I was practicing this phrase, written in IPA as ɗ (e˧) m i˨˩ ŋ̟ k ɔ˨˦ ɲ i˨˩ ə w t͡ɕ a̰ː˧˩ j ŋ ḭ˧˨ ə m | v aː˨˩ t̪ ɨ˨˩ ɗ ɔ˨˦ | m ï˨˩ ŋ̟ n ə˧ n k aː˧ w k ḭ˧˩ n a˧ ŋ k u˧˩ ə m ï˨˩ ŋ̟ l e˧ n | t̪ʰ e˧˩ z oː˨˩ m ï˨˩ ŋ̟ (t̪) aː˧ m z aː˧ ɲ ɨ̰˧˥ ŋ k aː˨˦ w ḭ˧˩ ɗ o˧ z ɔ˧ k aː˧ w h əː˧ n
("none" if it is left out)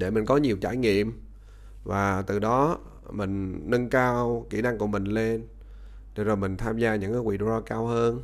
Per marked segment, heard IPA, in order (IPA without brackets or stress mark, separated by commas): e˧˩, t̪ʰ